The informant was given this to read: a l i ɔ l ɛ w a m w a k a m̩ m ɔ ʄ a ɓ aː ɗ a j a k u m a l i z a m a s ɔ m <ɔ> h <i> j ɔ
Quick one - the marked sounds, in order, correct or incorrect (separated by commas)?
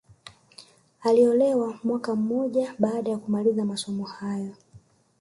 correct, incorrect